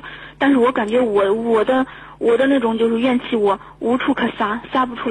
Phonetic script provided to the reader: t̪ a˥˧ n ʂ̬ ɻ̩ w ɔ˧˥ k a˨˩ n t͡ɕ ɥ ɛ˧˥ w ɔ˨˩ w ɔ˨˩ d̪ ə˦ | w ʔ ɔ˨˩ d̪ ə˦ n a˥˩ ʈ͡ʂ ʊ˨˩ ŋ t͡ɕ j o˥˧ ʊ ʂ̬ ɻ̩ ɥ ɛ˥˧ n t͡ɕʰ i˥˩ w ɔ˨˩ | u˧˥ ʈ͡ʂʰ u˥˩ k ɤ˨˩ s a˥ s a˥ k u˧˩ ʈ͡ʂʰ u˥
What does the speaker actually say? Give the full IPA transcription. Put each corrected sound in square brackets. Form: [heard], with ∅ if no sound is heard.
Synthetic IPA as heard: t̪ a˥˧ n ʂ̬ ɻ̩ w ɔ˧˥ k a˨˩ n t͡ɕ ɥ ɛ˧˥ w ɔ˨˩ w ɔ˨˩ d̪ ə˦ | w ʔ ɔ˨˩ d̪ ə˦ n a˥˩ ʈ͡ʂ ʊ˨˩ ŋ t͡ɕ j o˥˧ ʊ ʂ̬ ɻ̩ ɥ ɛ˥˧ n t͡ɕʰ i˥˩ w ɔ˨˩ | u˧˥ ʈ͡ʂʰ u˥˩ [kʰ] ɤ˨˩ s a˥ s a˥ [p] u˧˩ ʈ͡ʂʰ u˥